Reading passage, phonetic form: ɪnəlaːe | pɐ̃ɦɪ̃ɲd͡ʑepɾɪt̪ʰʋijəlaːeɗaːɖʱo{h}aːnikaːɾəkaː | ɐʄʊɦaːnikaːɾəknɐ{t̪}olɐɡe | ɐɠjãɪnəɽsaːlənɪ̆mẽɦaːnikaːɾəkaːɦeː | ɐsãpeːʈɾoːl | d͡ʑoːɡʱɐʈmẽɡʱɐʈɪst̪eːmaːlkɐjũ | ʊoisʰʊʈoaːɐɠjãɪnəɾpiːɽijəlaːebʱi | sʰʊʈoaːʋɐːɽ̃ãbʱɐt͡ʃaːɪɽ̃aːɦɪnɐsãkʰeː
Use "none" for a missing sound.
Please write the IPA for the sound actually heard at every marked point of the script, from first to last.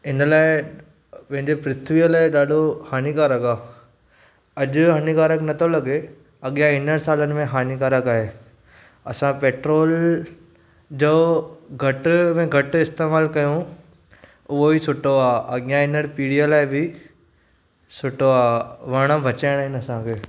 h, t̪ʰ

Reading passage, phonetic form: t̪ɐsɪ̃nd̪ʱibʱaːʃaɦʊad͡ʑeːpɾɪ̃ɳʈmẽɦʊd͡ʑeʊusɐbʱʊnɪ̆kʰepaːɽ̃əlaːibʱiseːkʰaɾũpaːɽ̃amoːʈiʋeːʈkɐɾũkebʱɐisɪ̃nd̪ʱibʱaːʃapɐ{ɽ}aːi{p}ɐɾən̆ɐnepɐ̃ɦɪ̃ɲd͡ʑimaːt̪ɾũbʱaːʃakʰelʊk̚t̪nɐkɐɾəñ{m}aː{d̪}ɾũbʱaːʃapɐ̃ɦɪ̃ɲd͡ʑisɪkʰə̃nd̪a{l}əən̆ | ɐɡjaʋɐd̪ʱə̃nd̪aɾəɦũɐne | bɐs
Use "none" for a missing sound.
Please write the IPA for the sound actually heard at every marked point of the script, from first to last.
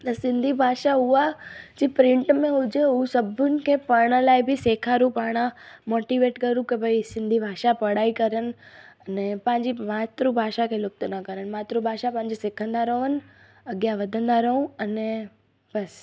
ɽ, k, m, t̪, ɾ

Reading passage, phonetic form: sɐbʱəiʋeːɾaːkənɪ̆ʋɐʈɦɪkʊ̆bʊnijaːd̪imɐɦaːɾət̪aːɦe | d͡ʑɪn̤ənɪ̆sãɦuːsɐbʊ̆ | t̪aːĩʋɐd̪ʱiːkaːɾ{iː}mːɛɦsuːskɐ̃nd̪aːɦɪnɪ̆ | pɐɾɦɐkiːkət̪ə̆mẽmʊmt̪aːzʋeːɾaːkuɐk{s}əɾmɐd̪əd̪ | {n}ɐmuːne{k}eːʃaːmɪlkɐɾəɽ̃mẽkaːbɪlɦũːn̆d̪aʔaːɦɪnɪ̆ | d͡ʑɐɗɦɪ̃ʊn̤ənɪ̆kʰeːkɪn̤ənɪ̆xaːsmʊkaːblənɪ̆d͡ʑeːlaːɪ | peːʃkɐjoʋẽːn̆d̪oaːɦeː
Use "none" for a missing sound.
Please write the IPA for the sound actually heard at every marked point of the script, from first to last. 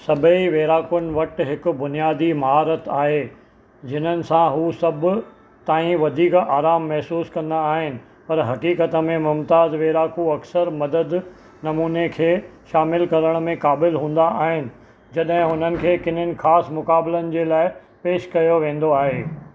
aː, s, n, kʰ

